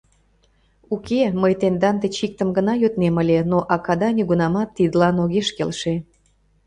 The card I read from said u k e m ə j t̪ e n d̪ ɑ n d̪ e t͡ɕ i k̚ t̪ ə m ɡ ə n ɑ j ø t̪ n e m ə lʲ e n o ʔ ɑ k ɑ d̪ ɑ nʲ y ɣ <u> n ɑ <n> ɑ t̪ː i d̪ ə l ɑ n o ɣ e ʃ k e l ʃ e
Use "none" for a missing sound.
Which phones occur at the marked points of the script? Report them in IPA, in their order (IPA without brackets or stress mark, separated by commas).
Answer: u, m